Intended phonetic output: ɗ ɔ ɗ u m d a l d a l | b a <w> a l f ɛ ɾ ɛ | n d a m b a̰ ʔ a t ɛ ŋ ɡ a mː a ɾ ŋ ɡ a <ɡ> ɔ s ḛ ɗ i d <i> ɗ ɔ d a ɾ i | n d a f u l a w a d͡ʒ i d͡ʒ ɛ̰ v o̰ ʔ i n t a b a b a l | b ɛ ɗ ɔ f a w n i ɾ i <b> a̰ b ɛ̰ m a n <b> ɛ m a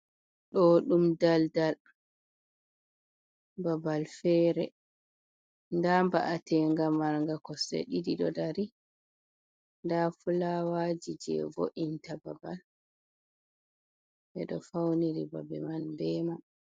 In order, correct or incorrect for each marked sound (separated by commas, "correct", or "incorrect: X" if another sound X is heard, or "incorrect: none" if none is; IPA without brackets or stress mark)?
incorrect: b, incorrect: k, correct, correct, correct